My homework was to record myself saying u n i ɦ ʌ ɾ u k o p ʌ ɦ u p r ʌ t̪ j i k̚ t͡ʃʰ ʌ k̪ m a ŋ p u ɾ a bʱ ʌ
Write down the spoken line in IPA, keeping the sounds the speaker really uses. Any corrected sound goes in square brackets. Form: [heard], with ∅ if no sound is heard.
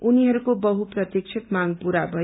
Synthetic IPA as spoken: u n i ɦ ʌ ɾ u k o [b] ʌ ɦ u p r ʌ t̪ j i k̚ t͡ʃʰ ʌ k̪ m a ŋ p u ɾ a bʱ ʌ